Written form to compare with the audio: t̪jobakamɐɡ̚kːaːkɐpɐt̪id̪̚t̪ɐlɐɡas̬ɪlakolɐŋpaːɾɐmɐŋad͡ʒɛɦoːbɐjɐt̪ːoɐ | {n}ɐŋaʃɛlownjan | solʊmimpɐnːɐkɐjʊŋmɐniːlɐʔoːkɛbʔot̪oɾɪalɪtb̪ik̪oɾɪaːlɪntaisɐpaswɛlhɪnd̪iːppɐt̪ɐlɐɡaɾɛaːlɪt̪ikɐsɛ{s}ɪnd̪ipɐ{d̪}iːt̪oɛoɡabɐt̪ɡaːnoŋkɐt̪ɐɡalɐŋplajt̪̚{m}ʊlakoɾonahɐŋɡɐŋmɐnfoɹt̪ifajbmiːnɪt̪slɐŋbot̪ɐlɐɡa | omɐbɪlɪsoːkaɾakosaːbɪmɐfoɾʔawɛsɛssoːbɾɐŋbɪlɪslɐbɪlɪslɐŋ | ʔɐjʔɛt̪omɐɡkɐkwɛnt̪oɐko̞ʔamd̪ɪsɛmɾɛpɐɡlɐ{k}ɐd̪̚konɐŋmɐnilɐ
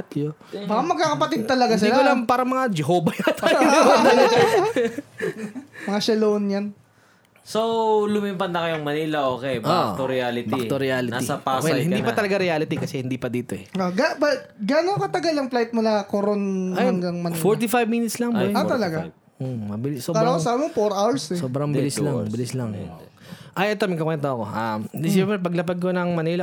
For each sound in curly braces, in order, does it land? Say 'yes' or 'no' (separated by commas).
no, no, yes, yes, no